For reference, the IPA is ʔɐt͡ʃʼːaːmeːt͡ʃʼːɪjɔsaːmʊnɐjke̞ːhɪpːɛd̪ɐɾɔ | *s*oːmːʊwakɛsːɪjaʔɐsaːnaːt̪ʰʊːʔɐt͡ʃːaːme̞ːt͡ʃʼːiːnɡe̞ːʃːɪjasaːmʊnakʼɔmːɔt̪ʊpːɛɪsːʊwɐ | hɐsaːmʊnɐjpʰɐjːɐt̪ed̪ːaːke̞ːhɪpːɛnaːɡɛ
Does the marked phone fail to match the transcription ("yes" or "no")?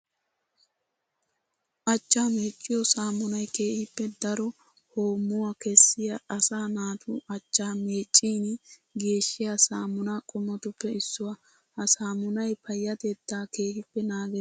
yes